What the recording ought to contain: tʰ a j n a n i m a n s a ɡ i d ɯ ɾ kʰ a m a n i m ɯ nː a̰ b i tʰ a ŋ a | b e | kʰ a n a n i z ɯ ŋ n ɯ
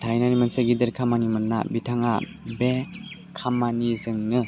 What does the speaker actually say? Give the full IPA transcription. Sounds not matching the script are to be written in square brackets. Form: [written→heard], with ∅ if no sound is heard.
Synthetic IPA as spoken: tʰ a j n a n i m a n s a ɡ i d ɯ ɾ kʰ a m a n i m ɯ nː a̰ b i tʰ a ŋ a | b e | kʰ a [n→m] a n i z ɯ ŋ n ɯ